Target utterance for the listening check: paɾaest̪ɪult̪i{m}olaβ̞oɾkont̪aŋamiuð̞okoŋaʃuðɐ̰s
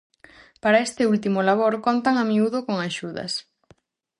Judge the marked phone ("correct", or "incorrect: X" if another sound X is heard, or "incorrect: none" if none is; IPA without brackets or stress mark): correct